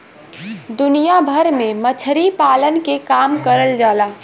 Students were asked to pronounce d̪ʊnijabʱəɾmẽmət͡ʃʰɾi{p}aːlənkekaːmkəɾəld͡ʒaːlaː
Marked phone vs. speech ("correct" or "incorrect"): correct